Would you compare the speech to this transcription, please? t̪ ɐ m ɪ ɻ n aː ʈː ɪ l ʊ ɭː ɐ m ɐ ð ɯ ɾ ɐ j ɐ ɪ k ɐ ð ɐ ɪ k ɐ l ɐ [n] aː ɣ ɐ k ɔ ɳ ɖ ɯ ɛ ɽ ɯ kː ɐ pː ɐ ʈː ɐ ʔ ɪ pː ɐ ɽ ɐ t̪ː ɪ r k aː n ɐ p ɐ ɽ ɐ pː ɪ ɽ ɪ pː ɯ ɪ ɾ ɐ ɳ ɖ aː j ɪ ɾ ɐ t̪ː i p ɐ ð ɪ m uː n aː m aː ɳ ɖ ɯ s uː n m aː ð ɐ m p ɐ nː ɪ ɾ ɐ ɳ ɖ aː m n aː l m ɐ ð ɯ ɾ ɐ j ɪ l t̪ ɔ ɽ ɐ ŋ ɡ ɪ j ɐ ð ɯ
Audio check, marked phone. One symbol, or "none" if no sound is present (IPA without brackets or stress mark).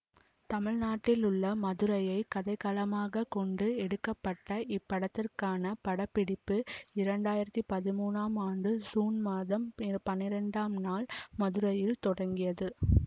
m